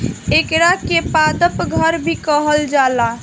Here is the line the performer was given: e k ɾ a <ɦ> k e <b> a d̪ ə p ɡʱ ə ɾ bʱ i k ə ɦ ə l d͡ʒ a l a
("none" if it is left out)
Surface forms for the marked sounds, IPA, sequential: none, p

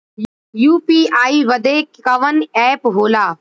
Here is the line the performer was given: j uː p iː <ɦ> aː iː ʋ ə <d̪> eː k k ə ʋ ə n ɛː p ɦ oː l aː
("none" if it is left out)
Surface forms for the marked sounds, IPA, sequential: none, d̪

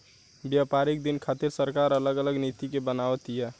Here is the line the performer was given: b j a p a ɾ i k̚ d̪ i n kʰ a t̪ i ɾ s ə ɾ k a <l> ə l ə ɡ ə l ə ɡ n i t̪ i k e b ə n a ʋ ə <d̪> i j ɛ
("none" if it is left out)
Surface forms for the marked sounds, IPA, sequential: ɾ, t̪

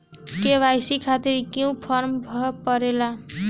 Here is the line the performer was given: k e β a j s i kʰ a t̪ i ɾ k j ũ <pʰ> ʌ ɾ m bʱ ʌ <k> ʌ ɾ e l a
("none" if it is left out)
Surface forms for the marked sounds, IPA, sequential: pʰ, p

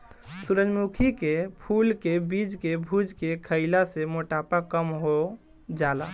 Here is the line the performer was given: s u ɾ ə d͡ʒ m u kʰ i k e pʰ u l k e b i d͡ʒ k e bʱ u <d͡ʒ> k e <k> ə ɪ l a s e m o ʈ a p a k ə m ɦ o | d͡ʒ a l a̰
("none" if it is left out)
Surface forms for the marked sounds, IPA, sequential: d͡ʒ, kʰ

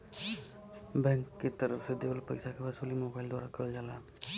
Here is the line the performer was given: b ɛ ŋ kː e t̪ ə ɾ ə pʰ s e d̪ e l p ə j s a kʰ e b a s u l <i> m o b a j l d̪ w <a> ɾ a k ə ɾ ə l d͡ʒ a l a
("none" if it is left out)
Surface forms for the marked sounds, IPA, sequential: i, a

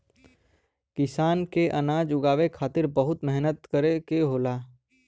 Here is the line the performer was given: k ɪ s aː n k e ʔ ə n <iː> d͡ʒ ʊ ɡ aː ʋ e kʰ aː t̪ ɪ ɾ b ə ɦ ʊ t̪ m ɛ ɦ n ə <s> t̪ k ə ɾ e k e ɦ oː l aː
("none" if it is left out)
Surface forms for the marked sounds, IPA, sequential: aː, none

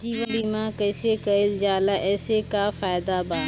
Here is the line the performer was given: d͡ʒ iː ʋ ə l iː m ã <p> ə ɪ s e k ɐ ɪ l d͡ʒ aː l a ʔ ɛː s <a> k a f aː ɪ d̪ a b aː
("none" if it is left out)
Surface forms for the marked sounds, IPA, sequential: k, e

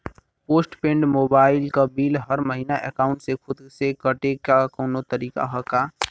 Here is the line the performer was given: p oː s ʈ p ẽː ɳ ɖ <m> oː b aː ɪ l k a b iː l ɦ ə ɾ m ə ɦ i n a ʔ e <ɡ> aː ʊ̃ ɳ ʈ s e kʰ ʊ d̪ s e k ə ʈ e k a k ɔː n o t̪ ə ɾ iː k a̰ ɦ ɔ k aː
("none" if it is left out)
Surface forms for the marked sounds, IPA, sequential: m, k

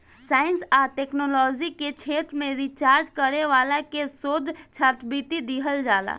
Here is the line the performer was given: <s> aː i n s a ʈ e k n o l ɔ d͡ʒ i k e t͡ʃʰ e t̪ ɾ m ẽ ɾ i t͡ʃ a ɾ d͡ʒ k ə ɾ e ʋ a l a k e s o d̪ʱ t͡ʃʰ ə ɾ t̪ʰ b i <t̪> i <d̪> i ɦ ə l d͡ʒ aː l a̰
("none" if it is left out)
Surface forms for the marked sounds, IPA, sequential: s, t̪, d̪

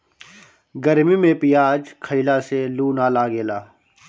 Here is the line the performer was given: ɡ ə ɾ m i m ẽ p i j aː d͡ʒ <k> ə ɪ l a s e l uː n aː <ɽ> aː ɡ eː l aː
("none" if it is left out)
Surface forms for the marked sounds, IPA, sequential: kʰ, l

